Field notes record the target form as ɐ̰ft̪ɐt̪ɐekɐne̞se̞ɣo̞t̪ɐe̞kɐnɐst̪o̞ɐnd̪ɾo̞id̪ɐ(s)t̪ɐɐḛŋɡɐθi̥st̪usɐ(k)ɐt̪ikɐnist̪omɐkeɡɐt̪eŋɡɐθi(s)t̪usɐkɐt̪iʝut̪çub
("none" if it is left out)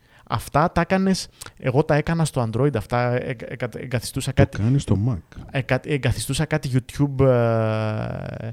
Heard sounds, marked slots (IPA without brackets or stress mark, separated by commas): f, k, s